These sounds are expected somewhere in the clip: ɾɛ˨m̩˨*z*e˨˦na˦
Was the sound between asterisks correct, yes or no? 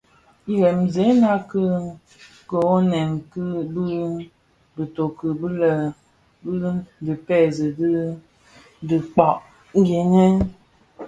yes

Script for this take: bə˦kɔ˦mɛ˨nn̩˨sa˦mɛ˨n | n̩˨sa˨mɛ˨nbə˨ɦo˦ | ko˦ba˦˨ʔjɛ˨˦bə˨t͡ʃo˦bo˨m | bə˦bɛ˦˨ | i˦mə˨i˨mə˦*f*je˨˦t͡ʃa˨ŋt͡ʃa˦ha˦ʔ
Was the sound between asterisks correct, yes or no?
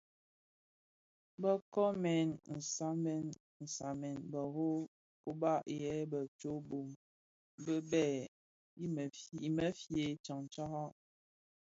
yes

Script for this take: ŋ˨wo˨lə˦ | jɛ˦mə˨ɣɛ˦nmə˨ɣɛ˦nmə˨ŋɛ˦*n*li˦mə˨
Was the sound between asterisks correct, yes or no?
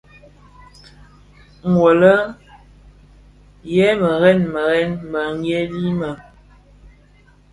no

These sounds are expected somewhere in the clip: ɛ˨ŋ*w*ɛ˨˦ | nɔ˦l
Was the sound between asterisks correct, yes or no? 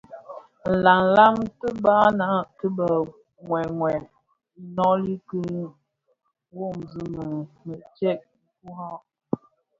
yes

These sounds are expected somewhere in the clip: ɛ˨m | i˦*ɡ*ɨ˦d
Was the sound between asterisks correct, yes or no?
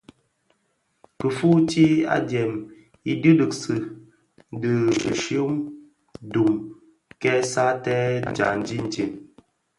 no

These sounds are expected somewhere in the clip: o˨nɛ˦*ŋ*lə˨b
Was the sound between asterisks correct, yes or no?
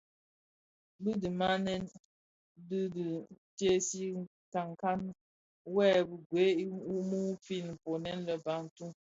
no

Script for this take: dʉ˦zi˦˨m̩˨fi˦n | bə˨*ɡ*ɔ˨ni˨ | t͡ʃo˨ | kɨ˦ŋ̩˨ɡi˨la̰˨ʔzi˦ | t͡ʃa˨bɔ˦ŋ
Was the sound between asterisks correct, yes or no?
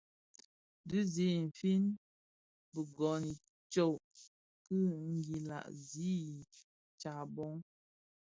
yes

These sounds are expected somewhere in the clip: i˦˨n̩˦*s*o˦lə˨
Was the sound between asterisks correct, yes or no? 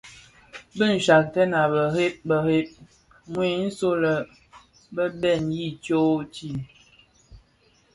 yes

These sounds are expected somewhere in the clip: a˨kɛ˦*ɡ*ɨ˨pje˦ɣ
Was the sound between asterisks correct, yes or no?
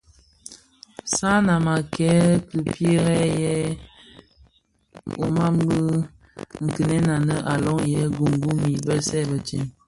no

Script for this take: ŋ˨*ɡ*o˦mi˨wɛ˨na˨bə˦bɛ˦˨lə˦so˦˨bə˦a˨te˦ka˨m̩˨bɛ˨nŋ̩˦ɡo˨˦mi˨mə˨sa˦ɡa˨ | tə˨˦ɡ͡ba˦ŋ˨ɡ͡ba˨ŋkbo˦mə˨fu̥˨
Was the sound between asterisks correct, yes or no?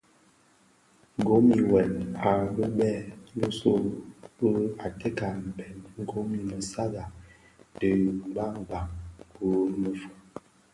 yes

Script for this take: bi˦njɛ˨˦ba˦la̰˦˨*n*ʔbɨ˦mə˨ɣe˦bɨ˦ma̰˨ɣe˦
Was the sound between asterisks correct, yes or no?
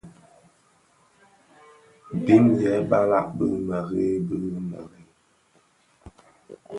no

